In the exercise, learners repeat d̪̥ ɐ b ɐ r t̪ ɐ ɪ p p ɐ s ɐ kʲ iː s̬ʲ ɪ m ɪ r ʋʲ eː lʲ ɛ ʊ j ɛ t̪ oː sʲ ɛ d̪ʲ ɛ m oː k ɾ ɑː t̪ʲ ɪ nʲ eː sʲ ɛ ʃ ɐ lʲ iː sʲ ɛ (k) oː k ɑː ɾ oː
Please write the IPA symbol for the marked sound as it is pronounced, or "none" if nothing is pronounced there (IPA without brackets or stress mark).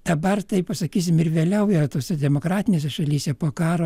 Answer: p